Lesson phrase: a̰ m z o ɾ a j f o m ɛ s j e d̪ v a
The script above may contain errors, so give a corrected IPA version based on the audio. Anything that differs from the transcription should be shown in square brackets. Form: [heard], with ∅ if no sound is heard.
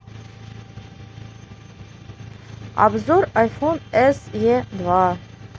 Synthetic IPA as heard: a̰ [b] z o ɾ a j f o [n] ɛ s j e d̪ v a